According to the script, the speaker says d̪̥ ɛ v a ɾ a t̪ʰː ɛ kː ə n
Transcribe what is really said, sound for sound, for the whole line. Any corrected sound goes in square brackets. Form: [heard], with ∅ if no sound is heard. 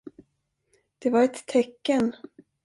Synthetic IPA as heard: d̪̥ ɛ v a ɾ [ɛ] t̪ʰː ɛ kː ə n

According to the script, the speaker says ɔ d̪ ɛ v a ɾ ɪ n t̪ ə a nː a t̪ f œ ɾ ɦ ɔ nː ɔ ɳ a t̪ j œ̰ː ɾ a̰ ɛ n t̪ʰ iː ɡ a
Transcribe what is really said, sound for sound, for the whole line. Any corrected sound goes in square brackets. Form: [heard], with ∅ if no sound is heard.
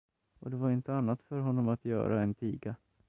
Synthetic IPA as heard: ɔ d̪ ɛ v a ɾ ɪ n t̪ ə a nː a t̪ f œ ɾ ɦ ɔ nː ɔ [m] a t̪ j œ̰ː ɾ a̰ ɛ n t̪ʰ iː ɡ a

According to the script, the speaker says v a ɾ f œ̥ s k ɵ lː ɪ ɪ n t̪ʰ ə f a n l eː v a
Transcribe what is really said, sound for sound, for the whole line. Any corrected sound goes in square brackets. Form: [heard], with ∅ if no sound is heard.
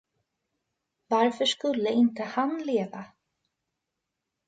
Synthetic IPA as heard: v a ɾ f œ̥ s k ɵ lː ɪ ɪ n [t̪] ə [h] a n l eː v a

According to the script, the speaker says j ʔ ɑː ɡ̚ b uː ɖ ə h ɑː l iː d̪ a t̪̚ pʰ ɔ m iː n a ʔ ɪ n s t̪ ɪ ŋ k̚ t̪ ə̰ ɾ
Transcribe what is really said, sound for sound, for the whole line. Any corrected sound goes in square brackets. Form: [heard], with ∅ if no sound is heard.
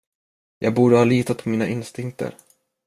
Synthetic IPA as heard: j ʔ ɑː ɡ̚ b uː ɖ ə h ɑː l iː [t̪] a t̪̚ pʰ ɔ m iː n a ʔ ɪ n s t̪ ɪ ŋ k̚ t̪ ə̰ ɾ

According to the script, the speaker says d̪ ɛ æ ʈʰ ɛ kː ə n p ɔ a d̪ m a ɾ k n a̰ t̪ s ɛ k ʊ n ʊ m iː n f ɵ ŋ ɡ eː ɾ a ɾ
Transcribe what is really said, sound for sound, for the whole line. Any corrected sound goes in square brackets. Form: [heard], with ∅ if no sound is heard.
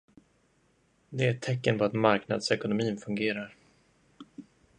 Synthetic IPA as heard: d̪ ɛ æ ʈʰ ɛ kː ə n p ɔ a [t̪] m a ɾ k n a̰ [d̪] s ɛ k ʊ n ʊ m iː n f ɵ ŋ ɡ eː ɾ a ɾ

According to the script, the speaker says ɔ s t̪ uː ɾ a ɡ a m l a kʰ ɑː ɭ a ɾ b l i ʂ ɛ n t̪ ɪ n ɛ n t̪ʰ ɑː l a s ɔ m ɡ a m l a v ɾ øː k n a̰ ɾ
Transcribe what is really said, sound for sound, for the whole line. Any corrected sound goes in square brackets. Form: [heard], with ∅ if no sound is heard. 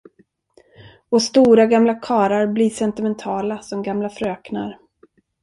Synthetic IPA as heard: ɔ s t̪ uː ɾ a ɡ a m l a kʰ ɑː [ɾ] a ɾ b l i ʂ ɛ n t̪ ɪ [m] ɛ n t̪ʰ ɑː l a s ɔ m ɡ a m l a [f] ɾ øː k n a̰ ɾ

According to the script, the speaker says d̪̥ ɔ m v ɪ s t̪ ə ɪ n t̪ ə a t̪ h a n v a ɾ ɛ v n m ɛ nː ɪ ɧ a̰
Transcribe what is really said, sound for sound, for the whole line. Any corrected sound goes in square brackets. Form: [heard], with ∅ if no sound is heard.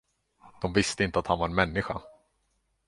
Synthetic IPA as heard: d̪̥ ɔ m v ɪ s t̪ ə ɪ n t̪ ə a t̪ h a n v a ɾ ɛ [∅] n m ɛ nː ɪ ɧ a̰

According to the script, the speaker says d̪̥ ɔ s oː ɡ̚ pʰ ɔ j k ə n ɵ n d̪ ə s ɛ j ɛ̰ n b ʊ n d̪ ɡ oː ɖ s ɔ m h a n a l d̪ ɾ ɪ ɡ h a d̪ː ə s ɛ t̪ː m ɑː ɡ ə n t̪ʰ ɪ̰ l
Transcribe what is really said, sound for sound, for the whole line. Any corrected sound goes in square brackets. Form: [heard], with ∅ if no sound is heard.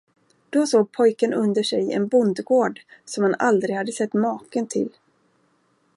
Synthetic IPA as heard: d̪̥ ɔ s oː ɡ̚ pʰ ɔ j k ə n ɵ n d̪ ə [ʂ] ɛ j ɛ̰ n b ʊ n d̪ ɡ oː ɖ s ɔ m h a n a l d̪ ɾ ɪ ɡ h a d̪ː ə s ɛ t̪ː m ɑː [k] ə n t̪ʰ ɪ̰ l

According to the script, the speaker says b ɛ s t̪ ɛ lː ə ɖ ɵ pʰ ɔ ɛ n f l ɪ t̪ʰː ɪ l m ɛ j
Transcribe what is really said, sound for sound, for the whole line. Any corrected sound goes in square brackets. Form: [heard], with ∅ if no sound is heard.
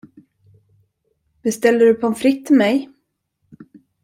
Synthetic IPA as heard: b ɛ s t̪ ɛ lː ə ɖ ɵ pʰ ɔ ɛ n f [ɾ] ɪ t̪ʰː ɪ l m ɛ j

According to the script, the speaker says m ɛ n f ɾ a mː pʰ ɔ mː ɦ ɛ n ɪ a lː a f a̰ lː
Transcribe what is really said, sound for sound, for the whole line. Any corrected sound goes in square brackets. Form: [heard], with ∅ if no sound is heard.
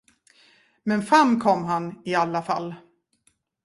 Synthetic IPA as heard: m ɛ n f ɾ a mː [kʰ] ɔ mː ɦ [a] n ɪ a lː a f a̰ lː

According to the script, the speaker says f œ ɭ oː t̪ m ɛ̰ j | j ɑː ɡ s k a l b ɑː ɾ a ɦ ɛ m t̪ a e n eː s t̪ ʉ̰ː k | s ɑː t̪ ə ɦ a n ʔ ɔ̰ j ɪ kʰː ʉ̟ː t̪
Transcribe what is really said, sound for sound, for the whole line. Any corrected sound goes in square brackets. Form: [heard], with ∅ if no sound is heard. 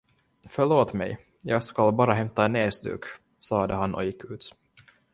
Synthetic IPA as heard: f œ ɭ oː t̪ m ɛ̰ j | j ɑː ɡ s k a l b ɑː ɾ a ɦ ɛ m t̪ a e n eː s [d̪] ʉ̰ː k | s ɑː [d̪] ə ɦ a n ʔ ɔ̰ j ɪ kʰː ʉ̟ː t̪

